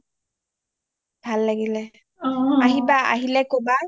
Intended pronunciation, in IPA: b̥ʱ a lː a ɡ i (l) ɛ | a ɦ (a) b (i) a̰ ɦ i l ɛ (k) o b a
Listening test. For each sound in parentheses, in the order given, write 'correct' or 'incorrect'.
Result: correct, incorrect: i, incorrect: a, correct

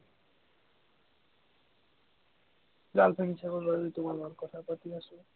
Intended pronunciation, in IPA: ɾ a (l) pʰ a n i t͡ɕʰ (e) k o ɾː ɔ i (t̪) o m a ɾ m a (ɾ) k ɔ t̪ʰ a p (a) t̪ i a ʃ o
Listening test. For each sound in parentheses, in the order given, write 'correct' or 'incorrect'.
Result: correct, incorrect: a, correct, correct, correct

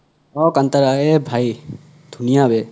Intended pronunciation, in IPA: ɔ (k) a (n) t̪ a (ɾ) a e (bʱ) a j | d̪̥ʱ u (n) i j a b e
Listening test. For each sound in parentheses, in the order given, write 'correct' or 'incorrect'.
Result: correct, correct, correct, correct, correct

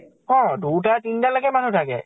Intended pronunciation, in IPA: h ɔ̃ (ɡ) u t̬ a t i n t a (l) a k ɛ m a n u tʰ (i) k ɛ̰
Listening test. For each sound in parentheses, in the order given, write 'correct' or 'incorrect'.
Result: incorrect: d, correct, incorrect: a

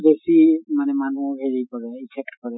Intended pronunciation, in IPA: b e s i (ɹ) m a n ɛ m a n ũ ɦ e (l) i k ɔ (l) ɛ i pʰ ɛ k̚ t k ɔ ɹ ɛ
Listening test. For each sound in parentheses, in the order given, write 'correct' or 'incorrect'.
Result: incorrect: none, incorrect: ɹ, incorrect: ɹ

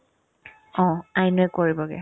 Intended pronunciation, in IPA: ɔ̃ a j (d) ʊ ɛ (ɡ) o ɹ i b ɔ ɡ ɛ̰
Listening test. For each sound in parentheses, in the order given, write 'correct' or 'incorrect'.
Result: incorrect: n, incorrect: k

